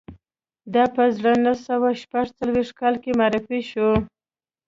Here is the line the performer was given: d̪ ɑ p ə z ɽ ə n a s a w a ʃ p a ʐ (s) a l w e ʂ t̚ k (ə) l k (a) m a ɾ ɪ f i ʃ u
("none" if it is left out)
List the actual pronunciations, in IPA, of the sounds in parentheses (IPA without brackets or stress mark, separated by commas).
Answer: t͡s, ɑ, e